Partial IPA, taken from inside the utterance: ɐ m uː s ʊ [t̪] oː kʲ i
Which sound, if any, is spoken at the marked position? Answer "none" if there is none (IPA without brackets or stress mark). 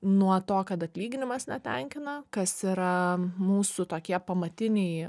t̪